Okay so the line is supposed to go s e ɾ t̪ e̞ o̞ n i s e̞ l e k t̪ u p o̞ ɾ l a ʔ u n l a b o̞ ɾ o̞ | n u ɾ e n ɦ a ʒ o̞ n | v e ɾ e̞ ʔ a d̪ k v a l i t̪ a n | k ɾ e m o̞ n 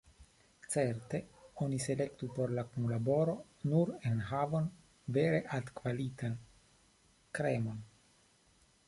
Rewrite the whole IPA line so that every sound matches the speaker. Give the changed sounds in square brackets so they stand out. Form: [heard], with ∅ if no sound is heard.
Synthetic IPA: [t͡s] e ɾ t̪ e̞ o̞ n i s e̞ l e k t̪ u p o̞ ɾ l a [k] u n l a b o̞ ɾ o̞ | n u ɾ e n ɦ a [v] o̞ n | v e ɾ e̞ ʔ a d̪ k v a l i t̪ a n | k ɾ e m o̞ n